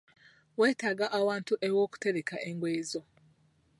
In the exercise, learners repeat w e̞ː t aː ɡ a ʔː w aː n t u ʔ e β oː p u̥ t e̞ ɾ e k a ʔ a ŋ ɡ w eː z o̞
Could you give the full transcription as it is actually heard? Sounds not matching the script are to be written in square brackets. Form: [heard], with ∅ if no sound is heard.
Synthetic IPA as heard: w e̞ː t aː ɡ a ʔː w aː n t u ʔ e [w] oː [k] u̥ t e̞ ɾ e k a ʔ [e] ŋ ɡ w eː z o̞